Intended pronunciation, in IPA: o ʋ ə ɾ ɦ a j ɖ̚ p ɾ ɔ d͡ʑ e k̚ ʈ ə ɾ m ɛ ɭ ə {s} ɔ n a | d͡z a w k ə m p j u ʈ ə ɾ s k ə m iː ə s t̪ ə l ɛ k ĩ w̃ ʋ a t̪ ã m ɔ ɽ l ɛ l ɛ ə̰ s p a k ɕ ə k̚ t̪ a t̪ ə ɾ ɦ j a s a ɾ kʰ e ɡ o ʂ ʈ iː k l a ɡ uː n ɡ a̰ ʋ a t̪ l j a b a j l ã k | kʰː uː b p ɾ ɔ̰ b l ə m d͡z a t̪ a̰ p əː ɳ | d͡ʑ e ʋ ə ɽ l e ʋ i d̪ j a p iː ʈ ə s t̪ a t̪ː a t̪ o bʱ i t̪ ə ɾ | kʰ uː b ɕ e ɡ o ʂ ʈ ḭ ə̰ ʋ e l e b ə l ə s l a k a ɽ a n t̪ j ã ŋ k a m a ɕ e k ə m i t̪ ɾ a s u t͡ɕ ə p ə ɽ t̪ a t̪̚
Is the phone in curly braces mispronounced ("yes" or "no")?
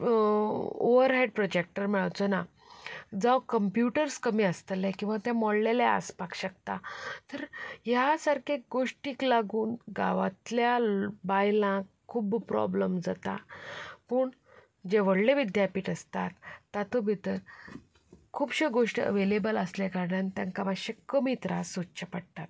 yes